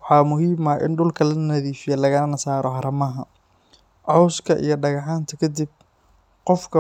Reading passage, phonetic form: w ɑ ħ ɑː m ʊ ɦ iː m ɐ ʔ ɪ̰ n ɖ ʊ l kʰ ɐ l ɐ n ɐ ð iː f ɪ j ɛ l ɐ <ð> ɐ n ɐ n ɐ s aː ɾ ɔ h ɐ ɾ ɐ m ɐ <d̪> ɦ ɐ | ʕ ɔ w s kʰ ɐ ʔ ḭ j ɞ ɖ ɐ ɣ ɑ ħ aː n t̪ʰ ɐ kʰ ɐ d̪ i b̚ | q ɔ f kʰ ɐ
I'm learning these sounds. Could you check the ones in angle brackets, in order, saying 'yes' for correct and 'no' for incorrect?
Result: no, no

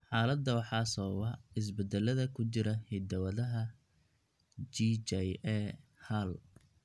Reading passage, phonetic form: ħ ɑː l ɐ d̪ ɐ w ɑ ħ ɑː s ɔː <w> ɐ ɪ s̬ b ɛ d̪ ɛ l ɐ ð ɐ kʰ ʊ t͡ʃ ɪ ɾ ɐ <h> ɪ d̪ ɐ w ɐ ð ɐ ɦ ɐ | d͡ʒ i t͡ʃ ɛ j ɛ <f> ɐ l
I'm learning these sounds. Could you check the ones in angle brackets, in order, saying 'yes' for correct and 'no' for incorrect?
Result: yes, yes, no

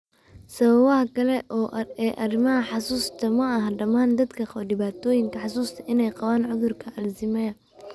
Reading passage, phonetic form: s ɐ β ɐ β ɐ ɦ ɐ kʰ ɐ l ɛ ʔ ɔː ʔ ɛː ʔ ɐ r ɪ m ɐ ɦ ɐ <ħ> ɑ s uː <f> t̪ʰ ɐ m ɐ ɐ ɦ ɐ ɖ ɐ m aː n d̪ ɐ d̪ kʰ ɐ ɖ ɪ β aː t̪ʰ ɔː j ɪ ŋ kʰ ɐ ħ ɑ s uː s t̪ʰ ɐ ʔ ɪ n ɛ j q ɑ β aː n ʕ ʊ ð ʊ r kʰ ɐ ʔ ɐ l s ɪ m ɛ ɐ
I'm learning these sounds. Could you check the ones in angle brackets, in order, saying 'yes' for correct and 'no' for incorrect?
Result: yes, no

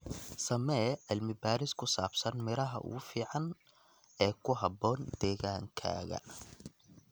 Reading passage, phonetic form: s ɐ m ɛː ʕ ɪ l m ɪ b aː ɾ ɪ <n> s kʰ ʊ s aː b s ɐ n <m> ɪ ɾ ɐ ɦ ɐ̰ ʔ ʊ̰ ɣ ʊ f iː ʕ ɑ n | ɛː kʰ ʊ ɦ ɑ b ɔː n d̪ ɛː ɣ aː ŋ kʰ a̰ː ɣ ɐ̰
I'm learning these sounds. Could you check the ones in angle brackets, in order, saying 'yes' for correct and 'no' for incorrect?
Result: no, yes

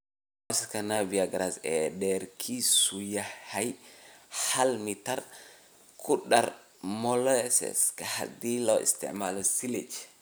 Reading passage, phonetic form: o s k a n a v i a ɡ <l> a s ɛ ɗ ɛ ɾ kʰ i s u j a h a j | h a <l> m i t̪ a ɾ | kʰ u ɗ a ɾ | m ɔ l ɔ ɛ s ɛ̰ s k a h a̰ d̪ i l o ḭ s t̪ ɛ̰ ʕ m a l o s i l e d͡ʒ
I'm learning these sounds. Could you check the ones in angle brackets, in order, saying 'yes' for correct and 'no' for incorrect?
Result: no, yes

